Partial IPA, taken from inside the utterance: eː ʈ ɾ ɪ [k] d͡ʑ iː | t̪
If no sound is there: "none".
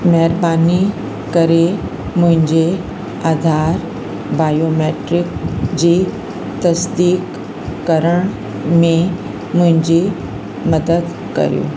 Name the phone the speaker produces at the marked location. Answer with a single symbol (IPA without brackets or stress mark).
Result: k